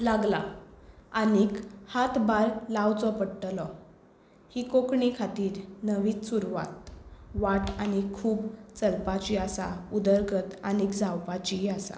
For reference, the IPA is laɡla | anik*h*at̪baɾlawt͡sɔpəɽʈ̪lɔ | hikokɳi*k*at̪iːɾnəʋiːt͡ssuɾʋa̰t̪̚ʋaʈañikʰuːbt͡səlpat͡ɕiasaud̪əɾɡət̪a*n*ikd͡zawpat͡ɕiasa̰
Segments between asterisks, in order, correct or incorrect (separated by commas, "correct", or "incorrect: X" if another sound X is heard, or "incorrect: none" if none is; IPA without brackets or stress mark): correct, incorrect: kʰ, correct